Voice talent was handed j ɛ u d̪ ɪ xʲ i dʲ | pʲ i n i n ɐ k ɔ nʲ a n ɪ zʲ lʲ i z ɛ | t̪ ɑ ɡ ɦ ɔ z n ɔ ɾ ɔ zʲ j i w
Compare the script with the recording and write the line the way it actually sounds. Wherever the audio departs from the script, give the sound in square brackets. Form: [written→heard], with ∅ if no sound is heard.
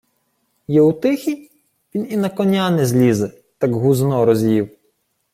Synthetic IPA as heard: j ɛ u [d̪→t̪] ɪ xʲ i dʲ | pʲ i n i n ɐ k ɔ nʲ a n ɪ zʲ lʲ i z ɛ | t̪ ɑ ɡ ɦ [ɔ→u] z n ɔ ɾ ɔ zʲ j i w